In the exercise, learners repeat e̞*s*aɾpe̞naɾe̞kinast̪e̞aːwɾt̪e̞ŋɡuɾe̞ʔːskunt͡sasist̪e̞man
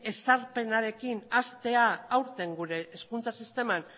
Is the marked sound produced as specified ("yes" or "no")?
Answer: yes